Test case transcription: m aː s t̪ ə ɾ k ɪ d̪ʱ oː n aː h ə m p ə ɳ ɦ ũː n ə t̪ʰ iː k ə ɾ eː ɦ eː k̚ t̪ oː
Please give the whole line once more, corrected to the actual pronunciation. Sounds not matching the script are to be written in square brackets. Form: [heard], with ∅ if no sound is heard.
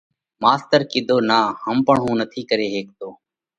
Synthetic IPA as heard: m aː s t̪ ə ɾ k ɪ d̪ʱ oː n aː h ə m p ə ɳ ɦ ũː n ə t̪ʰ iː k ə ɾ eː ɦ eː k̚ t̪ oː